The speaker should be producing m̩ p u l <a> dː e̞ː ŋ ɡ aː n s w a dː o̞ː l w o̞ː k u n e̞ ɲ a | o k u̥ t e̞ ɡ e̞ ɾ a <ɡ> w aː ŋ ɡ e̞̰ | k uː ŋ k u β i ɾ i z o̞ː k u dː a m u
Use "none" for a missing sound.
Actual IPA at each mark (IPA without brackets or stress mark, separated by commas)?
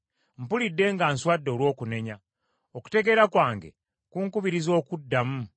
i, k